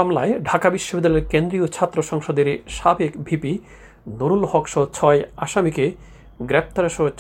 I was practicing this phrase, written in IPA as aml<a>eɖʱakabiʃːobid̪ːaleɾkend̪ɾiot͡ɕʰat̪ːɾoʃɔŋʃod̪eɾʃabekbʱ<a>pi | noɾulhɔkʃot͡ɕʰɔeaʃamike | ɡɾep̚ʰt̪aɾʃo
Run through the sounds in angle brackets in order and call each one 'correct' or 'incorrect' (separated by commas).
correct, incorrect